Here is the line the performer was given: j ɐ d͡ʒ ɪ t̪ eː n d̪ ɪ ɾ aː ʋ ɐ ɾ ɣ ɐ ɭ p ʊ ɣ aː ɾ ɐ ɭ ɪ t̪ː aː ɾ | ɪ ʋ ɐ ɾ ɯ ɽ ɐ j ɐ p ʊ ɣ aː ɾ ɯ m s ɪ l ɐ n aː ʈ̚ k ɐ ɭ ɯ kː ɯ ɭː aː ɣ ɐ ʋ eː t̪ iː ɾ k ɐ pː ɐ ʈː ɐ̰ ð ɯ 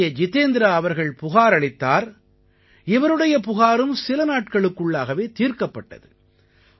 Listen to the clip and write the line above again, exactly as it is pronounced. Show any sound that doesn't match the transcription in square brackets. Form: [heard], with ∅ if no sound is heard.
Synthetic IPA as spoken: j ɐ d͡ʒ ɪ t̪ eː n d̪ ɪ ɾ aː ʋ ɐ ɾ ɣ ɐ ɭ p ʊ ɣ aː ɾ ɐ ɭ ɪ t̪ː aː ɾ | ɪ ʋ ɐ ɾ ɯ ɽ ɐ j ɐ p ʊ ɣ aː ɾ ɯ m s ɪ l ɐ n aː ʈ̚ k ɐ ɭ ɯ kː ɯ ɭː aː ɣ ɐ ʋ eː t̪ iː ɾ k ɐ pː ɐ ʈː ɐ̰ ð ɯ